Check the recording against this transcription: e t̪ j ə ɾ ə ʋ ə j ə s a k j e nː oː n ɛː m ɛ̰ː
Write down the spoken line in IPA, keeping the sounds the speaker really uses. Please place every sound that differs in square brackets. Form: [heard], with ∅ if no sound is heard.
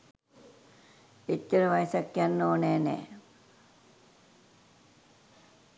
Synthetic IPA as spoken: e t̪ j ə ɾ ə ʋ [a] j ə s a k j [a] nː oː n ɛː [n] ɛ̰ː